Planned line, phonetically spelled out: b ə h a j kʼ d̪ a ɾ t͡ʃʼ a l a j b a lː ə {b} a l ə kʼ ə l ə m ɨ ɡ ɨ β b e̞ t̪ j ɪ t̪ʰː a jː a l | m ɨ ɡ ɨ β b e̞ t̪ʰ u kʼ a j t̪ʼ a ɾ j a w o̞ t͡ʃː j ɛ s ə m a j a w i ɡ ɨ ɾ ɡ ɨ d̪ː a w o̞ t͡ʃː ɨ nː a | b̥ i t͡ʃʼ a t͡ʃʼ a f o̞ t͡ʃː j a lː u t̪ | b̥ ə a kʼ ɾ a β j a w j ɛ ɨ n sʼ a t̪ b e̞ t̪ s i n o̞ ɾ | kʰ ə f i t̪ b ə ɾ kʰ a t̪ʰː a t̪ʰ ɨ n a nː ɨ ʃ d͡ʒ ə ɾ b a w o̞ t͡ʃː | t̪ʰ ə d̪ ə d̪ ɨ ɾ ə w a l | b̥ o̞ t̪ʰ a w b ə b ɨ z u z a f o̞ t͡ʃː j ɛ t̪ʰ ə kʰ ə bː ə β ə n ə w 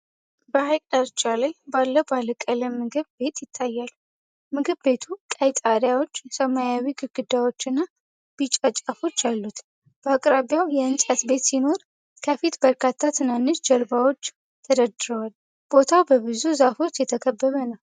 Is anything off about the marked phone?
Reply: no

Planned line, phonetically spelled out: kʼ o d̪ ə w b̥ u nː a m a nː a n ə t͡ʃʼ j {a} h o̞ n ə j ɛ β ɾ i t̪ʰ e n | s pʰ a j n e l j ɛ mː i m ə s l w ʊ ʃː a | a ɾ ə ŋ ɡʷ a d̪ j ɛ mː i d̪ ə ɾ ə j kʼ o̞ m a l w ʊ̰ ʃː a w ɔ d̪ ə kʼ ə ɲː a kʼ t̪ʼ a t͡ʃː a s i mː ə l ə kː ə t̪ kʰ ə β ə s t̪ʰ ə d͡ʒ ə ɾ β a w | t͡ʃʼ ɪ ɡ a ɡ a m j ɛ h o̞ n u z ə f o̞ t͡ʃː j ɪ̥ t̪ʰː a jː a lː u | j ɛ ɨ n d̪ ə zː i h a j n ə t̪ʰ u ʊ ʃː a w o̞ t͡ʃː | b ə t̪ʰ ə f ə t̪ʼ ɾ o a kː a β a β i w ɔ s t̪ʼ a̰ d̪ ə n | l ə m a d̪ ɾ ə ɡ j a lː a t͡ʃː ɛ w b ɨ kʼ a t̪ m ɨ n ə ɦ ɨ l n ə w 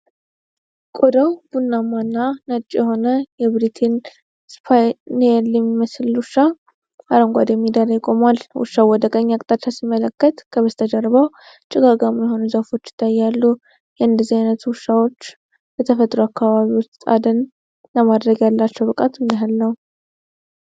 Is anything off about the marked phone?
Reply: yes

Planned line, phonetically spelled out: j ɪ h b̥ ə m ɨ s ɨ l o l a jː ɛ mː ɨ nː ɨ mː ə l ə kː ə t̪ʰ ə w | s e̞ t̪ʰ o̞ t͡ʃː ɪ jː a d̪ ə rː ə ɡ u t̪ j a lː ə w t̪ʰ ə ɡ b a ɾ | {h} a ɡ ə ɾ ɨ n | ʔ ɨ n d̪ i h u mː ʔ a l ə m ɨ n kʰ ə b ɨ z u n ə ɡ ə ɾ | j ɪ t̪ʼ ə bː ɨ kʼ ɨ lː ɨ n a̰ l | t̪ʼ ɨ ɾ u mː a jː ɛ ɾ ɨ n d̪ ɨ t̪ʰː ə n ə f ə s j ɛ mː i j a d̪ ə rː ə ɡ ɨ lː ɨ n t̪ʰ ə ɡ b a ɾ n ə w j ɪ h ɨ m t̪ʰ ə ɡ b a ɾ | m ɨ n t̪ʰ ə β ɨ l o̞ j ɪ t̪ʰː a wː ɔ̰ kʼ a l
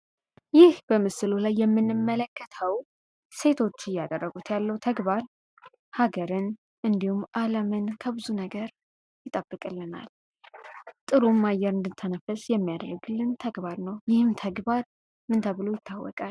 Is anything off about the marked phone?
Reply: no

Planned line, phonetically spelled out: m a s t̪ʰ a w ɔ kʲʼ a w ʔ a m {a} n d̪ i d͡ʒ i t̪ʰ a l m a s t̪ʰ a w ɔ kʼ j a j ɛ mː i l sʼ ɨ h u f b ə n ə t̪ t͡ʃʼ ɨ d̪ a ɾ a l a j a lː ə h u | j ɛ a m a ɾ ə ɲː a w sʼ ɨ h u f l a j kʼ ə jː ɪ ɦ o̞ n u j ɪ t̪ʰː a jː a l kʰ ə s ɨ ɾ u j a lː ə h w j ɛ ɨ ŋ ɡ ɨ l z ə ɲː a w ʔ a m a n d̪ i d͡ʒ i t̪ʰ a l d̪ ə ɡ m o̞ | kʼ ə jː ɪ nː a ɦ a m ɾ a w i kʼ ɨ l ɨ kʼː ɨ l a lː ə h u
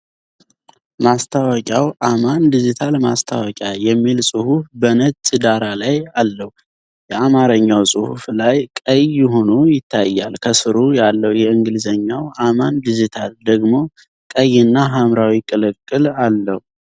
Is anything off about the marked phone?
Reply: no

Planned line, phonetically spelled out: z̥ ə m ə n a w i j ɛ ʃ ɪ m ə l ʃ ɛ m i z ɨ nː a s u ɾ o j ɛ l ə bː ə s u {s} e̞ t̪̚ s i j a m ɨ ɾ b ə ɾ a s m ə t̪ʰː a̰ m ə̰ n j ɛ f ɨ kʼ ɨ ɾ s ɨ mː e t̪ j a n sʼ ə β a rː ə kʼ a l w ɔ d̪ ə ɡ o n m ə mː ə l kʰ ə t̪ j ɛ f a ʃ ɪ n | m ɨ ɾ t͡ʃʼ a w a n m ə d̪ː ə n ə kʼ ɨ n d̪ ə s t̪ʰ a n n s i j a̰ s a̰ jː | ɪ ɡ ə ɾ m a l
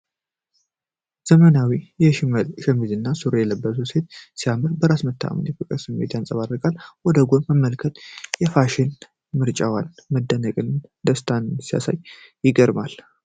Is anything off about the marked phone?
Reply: no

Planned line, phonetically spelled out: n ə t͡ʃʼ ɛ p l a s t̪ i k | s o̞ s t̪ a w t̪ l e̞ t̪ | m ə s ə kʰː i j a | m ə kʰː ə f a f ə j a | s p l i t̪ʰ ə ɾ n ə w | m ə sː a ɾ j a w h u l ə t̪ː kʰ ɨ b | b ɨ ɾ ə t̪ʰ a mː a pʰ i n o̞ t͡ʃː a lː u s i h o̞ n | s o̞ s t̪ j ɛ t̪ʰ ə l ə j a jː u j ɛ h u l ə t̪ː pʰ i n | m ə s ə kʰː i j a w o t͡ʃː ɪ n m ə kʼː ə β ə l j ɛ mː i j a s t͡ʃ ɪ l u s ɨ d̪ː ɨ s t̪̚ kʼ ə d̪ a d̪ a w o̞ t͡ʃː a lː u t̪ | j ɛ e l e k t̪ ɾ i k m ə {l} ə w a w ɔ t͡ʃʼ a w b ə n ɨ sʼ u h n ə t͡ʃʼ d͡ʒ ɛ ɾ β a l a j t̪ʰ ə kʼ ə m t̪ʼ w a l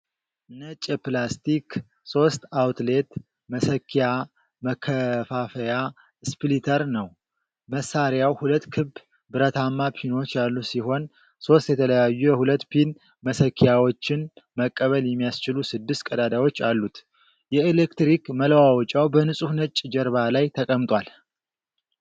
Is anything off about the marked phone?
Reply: no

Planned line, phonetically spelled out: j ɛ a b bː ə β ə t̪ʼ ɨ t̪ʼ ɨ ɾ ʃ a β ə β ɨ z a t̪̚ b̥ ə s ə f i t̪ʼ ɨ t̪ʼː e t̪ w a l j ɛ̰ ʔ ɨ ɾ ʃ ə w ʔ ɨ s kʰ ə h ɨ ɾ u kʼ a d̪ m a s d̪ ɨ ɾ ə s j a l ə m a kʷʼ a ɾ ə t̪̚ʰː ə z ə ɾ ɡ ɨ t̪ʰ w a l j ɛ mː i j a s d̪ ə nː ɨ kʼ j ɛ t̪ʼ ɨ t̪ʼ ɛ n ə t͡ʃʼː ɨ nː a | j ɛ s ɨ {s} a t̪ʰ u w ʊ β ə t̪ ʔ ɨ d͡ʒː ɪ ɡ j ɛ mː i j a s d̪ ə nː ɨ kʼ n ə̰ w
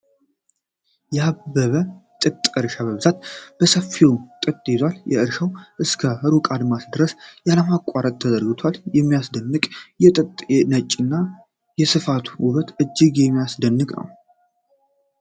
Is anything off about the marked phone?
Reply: yes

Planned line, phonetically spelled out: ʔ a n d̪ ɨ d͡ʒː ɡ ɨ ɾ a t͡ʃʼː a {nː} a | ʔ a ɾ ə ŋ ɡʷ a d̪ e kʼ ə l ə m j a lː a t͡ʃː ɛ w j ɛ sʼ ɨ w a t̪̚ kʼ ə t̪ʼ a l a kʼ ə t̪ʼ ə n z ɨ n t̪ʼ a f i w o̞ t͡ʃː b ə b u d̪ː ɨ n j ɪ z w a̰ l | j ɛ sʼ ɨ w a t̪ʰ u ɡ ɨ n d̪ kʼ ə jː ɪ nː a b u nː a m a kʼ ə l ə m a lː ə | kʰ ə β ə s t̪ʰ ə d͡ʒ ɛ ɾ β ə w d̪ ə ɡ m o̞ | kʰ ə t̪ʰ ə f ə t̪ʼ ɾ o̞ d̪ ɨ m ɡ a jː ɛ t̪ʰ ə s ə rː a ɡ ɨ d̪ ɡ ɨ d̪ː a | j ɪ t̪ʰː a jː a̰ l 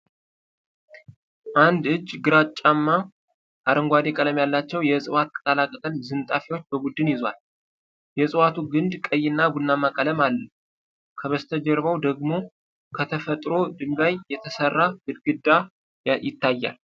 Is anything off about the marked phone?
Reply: yes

